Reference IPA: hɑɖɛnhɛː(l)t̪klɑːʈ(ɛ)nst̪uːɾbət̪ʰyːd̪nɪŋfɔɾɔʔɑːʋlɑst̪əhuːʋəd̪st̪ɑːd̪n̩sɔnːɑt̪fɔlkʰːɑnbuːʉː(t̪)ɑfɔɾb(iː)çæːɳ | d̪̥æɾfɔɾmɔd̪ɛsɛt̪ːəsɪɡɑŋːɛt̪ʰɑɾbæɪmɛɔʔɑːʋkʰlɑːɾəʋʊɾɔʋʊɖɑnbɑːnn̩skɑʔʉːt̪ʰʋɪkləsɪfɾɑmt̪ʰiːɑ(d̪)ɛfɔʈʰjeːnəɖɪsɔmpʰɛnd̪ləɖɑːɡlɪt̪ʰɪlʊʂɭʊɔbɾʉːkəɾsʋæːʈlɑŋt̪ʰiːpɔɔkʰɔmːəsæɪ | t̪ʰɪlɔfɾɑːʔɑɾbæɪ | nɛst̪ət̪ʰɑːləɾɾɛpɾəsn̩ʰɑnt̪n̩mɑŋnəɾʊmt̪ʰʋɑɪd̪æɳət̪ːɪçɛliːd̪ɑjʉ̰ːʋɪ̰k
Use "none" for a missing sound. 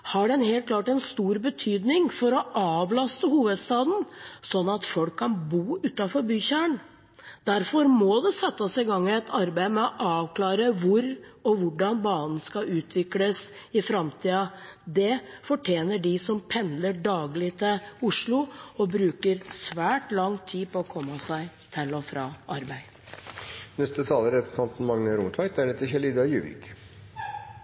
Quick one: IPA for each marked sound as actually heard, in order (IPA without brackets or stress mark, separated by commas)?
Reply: l, ɛ, t̪, yː, d̪